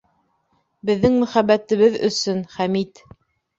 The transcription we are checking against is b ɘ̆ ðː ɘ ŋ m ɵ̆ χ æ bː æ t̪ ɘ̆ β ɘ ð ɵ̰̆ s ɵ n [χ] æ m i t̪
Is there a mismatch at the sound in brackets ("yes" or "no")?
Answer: no